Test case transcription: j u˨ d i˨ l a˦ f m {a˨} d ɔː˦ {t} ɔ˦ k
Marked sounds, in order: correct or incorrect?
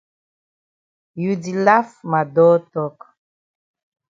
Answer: correct, correct

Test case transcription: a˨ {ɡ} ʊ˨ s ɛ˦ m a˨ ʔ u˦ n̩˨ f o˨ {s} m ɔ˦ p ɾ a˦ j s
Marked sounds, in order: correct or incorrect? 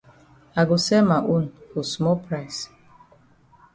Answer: correct, correct

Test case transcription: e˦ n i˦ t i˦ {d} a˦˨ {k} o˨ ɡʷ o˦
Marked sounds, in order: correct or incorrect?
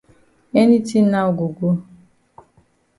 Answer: incorrect: n, incorrect: ɡ

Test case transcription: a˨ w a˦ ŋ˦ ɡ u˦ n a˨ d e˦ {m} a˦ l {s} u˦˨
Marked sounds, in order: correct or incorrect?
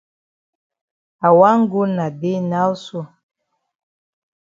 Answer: incorrect: n, correct

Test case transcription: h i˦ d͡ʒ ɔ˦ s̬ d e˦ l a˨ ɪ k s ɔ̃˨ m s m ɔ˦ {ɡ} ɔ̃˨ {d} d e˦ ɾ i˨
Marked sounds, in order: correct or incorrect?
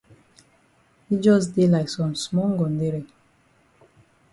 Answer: correct, incorrect: n

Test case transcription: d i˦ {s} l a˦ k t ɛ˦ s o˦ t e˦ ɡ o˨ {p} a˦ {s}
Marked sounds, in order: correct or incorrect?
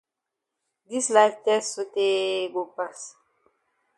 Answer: correct, correct, correct

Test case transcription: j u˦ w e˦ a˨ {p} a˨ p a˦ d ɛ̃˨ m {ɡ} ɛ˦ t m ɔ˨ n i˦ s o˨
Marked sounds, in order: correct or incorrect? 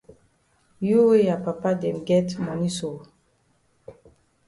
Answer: correct, correct

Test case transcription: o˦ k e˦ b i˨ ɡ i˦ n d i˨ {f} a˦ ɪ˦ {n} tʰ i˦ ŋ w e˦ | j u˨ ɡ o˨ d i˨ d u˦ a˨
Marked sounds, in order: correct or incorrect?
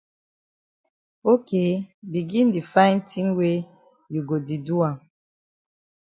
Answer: correct, correct

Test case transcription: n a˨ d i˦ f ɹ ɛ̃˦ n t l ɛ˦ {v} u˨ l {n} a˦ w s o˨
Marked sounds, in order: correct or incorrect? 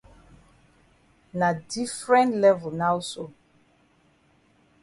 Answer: correct, correct

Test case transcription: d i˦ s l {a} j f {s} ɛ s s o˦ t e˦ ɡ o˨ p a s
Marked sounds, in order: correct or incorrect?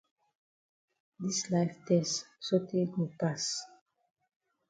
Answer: correct, incorrect: t

